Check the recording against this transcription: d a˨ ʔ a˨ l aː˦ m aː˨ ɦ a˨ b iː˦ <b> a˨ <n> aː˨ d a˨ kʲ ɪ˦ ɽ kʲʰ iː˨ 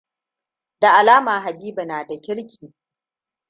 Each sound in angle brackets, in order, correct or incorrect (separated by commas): correct, correct